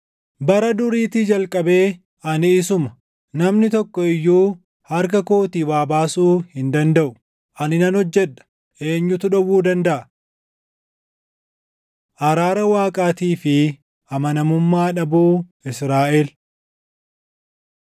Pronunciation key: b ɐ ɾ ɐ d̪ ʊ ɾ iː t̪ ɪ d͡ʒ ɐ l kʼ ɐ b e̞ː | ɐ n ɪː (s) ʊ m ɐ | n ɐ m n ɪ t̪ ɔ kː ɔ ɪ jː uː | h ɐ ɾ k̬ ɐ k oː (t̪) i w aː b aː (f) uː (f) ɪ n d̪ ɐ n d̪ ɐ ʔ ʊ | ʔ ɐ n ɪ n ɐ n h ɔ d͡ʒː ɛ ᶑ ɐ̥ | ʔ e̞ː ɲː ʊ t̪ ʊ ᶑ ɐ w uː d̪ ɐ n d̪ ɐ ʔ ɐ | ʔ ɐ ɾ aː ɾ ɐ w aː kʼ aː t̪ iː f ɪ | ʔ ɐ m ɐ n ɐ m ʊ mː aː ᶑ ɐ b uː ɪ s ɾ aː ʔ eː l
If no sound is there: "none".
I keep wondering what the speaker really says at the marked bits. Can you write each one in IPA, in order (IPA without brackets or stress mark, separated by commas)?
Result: s, t̪, s, h